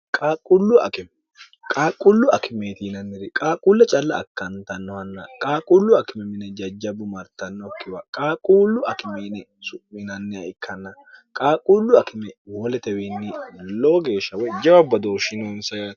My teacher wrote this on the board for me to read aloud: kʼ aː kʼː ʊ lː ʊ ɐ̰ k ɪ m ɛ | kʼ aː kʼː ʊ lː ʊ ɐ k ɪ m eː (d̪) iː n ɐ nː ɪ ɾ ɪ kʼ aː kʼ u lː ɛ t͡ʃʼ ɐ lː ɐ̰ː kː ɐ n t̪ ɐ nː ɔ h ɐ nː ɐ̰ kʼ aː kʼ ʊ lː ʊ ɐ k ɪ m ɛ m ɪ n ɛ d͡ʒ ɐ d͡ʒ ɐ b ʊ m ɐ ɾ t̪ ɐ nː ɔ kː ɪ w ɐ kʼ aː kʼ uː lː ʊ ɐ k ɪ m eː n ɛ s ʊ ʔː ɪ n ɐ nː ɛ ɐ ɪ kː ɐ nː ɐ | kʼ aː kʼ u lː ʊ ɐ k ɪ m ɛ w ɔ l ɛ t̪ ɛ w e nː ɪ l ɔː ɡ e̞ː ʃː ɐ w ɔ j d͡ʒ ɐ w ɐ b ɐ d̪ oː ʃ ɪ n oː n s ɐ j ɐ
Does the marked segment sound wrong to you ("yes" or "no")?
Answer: yes